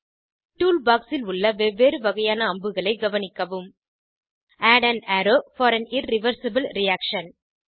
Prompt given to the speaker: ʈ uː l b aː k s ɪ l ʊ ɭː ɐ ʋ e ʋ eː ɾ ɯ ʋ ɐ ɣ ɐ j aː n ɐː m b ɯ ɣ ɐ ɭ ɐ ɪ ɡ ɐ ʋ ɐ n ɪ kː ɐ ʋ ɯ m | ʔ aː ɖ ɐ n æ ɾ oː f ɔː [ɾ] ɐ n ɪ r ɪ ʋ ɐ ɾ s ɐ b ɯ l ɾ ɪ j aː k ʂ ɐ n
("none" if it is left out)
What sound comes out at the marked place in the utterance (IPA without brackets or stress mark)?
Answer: ɾ